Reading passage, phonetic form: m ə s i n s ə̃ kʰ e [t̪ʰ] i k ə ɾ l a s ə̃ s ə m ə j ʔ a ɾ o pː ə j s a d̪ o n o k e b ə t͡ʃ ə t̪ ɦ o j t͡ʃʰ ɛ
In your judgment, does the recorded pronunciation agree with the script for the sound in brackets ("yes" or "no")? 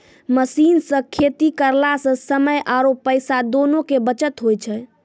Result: no